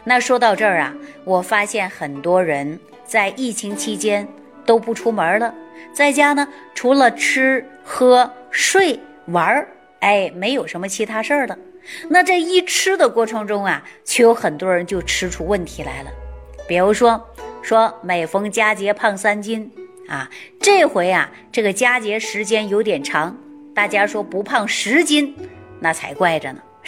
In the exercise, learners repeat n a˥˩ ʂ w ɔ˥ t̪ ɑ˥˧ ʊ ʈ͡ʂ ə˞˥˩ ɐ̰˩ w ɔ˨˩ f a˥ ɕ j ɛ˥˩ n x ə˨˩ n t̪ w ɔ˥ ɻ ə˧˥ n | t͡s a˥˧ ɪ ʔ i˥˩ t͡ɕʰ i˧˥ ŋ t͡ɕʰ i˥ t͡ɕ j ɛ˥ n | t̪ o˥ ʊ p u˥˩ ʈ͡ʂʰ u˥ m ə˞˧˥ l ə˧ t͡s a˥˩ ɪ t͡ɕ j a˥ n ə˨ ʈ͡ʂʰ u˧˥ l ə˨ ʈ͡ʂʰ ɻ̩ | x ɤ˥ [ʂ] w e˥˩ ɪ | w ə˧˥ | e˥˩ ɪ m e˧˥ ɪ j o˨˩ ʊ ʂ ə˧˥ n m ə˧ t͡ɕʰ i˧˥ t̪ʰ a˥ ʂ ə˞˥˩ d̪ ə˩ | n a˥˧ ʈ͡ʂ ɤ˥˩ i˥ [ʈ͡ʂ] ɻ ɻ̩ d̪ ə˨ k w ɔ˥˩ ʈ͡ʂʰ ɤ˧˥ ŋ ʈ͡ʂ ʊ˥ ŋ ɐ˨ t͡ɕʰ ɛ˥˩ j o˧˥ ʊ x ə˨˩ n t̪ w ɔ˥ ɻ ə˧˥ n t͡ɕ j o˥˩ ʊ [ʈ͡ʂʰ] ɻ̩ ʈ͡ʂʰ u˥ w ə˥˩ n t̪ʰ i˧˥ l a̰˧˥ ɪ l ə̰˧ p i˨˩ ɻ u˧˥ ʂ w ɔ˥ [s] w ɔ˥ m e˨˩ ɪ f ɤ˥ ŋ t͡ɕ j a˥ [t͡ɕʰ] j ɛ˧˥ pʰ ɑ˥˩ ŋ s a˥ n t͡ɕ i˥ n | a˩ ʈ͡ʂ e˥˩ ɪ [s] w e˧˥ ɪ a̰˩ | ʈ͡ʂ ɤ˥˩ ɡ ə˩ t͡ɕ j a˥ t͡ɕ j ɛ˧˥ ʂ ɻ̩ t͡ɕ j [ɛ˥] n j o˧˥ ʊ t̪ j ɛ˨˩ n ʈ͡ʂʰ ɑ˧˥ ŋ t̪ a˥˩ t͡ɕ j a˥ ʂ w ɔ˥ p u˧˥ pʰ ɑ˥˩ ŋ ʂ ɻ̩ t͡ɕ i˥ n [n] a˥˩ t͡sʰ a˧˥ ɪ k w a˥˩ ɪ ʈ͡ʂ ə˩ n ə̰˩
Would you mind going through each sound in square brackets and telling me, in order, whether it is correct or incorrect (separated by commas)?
correct, incorrect, correct, incorrect, incorrect, incorrect, correct, correct